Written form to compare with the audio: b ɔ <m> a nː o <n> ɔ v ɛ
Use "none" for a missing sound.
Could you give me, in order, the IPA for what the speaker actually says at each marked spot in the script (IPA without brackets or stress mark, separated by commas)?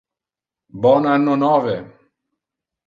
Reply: n, n